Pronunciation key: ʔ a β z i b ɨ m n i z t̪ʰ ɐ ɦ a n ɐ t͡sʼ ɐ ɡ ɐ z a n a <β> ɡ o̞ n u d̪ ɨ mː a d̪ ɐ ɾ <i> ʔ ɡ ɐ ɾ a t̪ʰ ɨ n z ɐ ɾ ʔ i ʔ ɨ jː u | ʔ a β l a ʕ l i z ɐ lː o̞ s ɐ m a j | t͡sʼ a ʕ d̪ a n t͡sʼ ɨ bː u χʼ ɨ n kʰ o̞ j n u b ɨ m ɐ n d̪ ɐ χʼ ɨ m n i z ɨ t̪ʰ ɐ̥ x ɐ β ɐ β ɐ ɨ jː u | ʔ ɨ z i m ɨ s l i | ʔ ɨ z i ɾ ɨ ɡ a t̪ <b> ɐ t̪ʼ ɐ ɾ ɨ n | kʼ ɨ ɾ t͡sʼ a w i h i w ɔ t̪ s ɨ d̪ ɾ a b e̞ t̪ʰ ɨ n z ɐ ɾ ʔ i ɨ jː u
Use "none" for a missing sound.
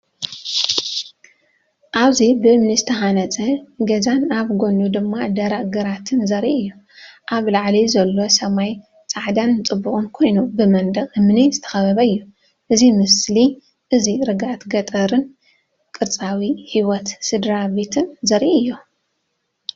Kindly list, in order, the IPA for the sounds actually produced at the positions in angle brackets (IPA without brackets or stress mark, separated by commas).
β, a, ɡ